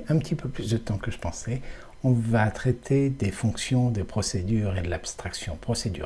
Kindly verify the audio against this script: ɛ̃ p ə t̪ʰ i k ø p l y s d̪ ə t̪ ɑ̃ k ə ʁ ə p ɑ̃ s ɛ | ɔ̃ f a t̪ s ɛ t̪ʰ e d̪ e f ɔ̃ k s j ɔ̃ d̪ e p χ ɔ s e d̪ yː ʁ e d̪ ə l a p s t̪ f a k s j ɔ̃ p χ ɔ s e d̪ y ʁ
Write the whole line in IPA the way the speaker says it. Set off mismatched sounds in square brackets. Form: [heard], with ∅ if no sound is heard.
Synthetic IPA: ɛ̃ p ə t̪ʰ i [p] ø p l y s d̪ ə t̪ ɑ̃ k ə [ʒ] ə p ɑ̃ s ɛ | ɔ̃ [v] a t̪ [χ] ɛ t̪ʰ e d̪ e f ɔ̃ k s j ɔ̃ d̪ e p χ ɔ s e d̪ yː ʁ e d̪ ə l a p s t̪ [χ] a k s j ɔ̃ p χ ɔ s e d̪ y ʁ